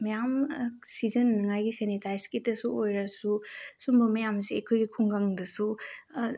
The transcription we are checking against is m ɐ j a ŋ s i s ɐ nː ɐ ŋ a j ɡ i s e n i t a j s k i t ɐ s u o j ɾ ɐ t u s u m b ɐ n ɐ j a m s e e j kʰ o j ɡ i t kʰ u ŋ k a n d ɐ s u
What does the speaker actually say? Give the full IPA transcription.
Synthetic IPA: m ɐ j a m s i z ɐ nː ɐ ŋ a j ɡ i s e n i t a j s k i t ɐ s u o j ɾ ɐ s u s u m b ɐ m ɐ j a m s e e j kʰ o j ɡ i kʰ u ŋ ɡ a ŋ d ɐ s u